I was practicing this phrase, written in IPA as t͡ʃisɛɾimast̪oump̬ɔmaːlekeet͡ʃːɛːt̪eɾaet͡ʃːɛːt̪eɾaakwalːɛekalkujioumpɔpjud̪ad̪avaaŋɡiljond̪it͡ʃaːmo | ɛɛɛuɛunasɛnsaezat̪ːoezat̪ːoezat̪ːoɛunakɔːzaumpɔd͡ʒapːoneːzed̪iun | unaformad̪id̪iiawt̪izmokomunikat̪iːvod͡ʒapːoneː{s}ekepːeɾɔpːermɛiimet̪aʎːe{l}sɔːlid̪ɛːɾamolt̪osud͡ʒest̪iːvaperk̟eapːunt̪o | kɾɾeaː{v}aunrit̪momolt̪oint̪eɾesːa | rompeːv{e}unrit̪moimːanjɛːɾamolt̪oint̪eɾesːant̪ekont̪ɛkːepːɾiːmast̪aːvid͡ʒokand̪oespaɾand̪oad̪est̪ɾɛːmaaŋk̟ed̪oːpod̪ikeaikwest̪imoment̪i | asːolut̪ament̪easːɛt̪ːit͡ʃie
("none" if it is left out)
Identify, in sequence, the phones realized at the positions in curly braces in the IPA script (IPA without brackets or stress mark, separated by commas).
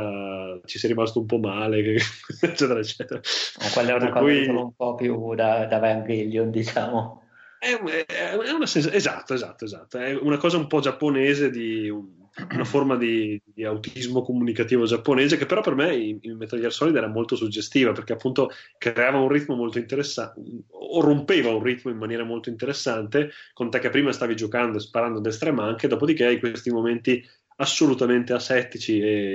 z, r, v, a